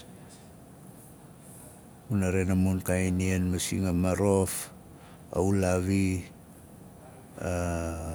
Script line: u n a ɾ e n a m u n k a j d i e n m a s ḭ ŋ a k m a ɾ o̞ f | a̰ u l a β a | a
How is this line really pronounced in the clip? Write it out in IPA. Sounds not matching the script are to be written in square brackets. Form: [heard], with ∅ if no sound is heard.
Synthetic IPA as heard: u n a ɾ e n a m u n k a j [n] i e n m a s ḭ ŋ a [∅] m a ɾ o̞ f | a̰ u l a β [i] | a